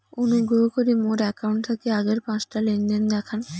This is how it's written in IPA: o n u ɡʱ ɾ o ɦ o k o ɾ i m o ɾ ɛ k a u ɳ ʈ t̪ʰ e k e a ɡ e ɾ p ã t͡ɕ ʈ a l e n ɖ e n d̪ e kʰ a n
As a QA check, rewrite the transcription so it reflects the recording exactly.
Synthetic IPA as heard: o n u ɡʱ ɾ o ɦ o k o ɾ i m o ɾ ɛ k a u ɳ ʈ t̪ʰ a k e a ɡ e ɾ p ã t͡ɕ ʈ a l e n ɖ e n d̪ ɛ kʰ a n